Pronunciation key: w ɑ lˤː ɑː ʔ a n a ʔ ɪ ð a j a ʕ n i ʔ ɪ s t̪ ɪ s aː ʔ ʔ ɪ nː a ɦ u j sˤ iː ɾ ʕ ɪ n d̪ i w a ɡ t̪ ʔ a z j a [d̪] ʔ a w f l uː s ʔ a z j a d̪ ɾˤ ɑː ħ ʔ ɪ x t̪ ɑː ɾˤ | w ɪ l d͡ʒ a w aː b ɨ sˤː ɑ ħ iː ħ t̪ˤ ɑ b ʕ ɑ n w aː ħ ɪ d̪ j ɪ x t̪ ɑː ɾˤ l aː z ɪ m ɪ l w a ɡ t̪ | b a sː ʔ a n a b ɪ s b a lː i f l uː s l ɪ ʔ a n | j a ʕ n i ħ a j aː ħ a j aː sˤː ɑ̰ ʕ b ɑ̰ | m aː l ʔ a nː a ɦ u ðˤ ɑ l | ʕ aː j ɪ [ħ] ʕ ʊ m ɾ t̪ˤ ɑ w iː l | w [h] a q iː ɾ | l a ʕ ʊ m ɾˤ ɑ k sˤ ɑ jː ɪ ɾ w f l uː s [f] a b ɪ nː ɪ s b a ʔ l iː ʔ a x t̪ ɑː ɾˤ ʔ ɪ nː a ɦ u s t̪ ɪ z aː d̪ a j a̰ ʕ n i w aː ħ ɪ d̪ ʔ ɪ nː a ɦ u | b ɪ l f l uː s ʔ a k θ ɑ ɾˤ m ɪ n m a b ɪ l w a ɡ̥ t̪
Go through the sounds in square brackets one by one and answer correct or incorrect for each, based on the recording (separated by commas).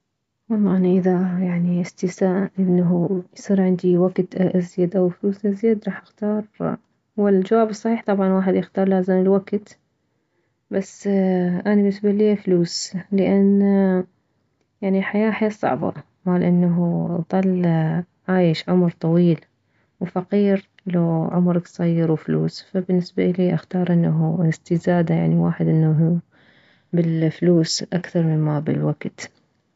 correct, incorrect, incorrect, correct